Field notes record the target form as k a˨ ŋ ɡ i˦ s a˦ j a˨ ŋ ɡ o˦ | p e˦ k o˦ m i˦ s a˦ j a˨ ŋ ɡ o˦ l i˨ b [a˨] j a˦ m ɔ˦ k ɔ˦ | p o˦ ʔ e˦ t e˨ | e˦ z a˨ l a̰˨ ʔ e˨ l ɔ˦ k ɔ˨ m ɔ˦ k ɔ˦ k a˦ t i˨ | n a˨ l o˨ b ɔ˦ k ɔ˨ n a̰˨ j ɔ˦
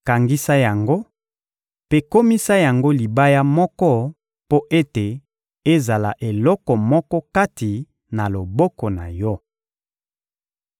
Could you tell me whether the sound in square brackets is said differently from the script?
yes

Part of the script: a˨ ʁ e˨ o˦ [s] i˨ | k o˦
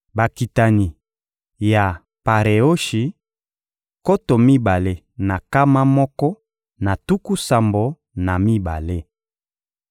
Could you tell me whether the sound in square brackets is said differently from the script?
yes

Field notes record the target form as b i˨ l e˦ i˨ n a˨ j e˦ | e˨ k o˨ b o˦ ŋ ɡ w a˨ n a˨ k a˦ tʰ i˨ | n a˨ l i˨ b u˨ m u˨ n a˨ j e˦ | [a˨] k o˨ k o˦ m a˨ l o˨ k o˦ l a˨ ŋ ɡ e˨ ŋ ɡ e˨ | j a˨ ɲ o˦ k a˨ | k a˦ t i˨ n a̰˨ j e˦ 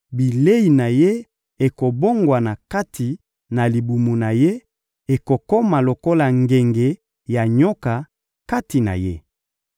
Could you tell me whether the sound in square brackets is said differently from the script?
yes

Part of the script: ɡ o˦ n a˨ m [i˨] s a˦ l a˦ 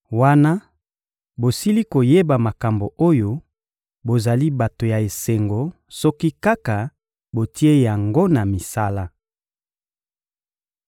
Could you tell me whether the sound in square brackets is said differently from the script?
no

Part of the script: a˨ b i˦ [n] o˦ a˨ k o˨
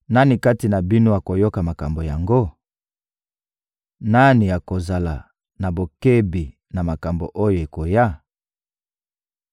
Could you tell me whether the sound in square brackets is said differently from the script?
no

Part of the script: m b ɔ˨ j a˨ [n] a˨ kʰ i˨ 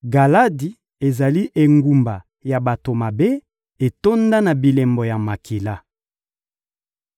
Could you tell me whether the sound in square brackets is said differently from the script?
yes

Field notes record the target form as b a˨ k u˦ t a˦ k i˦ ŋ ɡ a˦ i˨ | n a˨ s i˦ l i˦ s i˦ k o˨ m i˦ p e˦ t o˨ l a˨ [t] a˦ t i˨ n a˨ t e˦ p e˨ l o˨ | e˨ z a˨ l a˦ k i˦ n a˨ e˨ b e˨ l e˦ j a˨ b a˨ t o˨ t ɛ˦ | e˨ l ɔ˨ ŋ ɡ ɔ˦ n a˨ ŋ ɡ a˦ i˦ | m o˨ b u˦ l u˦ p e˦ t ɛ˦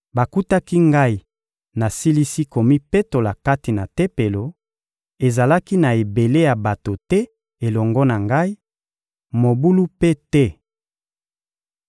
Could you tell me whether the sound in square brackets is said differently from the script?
yes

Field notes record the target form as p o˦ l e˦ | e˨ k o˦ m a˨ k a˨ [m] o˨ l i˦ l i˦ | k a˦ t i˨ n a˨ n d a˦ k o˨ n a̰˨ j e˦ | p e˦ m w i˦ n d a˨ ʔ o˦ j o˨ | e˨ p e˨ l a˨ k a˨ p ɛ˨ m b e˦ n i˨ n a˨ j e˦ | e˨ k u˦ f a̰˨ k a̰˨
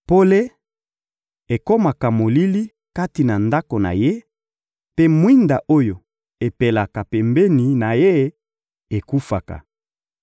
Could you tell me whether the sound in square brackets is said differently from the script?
no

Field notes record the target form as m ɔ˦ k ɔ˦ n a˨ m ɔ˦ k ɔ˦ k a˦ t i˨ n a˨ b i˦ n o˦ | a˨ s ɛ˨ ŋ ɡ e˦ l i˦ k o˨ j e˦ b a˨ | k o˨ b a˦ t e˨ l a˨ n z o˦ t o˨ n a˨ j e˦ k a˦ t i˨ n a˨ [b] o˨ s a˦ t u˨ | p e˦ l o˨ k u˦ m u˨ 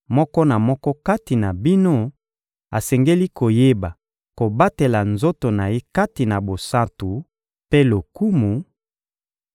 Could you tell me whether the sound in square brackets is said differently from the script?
no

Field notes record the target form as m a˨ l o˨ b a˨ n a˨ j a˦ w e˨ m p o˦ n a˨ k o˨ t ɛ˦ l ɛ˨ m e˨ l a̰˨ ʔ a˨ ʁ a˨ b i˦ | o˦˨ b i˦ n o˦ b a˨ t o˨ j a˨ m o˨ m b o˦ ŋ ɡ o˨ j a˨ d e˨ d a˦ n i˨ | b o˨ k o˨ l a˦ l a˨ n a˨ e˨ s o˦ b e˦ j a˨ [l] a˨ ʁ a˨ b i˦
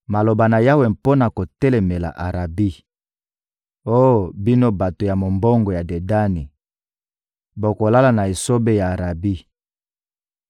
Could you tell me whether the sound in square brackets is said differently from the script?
yes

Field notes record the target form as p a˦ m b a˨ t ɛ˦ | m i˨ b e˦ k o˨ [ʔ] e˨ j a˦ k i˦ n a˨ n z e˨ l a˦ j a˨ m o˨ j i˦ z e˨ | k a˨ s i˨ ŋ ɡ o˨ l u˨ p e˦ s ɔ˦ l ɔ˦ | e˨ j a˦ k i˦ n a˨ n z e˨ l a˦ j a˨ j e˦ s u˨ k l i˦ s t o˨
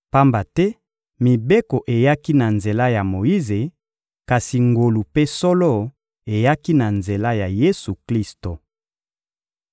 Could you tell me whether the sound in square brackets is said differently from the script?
no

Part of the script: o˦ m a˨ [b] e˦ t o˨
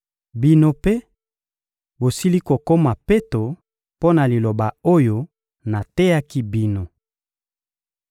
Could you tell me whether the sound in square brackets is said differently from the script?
yes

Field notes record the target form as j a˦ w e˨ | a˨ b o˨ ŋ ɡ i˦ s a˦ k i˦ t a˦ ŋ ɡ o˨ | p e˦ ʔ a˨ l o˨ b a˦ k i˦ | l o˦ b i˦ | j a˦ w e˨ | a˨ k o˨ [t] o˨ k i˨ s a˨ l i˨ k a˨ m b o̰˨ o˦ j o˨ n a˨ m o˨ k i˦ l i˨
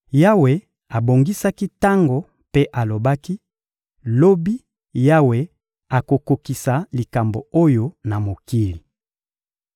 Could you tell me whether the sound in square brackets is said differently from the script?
yes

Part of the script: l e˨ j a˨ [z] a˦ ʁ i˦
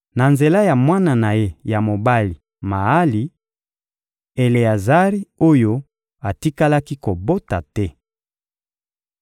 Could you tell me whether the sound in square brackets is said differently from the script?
no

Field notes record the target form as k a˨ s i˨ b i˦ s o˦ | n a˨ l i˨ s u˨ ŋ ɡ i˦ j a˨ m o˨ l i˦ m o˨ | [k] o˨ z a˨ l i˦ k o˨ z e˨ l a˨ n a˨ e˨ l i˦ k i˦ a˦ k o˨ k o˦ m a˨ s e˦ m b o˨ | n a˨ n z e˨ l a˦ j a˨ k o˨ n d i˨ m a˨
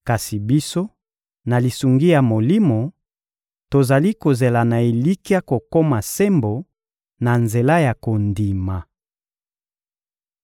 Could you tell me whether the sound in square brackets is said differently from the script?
yes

